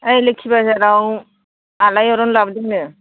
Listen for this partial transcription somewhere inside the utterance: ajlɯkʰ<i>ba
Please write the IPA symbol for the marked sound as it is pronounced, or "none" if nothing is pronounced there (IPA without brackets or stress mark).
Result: i